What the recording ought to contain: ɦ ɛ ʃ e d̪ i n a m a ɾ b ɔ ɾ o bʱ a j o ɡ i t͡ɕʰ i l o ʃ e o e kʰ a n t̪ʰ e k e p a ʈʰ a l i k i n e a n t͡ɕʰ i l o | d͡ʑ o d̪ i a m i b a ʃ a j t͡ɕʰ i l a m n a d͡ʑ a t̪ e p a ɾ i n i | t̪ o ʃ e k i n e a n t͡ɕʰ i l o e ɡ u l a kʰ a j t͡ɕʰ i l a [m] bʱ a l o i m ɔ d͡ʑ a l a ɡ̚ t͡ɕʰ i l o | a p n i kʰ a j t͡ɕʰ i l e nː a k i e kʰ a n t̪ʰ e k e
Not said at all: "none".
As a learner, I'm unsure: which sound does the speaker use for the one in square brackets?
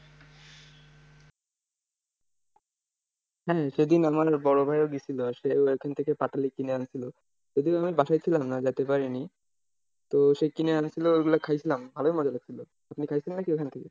m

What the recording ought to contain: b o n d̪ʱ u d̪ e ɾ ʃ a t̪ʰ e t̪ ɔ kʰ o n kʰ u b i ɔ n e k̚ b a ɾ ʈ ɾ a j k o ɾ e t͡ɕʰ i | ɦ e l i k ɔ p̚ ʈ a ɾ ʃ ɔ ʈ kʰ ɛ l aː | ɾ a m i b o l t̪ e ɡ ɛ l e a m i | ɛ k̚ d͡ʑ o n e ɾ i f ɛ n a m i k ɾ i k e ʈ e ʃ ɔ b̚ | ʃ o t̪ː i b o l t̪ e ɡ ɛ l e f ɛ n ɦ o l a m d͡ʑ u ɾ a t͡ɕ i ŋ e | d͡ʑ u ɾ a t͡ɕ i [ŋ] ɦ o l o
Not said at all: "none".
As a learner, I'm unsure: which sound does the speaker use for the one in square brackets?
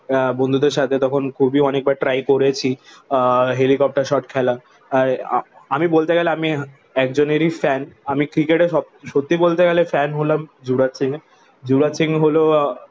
ŋ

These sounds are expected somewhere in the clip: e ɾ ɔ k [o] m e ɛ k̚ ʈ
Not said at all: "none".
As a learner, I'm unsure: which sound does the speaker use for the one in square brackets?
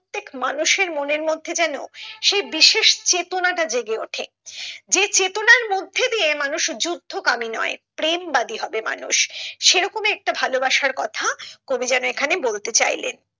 o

